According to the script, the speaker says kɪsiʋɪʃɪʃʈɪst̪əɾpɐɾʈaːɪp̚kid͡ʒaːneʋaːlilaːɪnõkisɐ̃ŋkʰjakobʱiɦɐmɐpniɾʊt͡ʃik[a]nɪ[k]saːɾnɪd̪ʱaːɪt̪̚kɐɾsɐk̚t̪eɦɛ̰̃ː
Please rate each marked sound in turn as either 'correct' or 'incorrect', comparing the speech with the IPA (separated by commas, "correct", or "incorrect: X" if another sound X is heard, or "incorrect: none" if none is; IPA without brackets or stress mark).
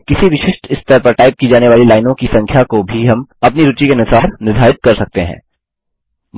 incorrect: e, incorrect: none